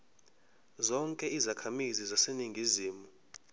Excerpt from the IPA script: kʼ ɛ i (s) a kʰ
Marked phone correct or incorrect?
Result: incorrect